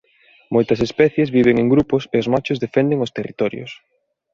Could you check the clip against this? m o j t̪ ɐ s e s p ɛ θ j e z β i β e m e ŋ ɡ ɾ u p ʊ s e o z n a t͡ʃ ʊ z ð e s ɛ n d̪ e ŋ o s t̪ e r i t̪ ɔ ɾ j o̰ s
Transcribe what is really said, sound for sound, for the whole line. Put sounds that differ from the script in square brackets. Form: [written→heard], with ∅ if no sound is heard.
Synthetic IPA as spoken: m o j t̪ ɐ s e s p ɛ θ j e z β i β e [m→ŋ] e ŋ ɡ ɾ u p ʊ s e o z [n→m] a t͡ʃ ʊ z ð e [s→f] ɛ n d̪ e ŋ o s t̪ e r i t̪ ɔ ɾ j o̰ s